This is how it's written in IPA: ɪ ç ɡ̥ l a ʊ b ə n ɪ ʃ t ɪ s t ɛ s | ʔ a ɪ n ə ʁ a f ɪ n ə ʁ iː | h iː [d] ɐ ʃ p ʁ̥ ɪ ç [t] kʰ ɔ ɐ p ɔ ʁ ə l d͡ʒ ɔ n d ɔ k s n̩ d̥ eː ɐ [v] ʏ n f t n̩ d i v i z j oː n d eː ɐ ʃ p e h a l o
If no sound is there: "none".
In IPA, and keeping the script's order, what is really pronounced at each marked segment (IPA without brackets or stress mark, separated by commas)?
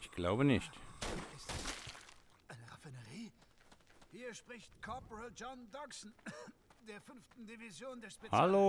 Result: none, t, f